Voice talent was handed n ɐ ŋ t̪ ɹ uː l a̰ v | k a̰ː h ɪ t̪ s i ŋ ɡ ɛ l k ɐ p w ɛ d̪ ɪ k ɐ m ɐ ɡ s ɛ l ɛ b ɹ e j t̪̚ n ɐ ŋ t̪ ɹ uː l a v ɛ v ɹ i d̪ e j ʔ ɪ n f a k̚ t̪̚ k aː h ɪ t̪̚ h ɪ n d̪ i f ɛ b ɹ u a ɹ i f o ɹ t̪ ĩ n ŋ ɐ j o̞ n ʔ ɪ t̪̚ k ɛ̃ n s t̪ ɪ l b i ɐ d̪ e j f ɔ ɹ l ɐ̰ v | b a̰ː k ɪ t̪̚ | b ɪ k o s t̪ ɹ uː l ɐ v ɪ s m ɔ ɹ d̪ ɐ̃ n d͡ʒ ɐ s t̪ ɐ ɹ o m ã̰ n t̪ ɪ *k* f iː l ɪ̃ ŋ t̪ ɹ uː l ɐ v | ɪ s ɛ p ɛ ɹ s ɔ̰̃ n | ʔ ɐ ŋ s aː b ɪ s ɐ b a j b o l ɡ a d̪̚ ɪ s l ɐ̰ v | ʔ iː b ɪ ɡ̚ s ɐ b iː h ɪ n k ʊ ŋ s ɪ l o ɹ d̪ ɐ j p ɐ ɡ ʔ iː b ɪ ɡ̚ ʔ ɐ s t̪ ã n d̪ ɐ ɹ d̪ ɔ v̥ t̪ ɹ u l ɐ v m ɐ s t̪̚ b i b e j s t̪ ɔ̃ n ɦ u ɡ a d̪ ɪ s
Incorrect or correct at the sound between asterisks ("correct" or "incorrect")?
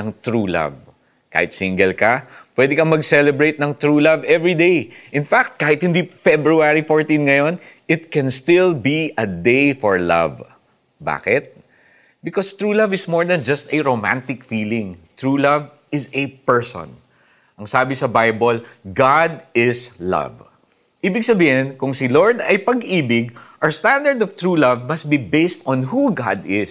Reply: correct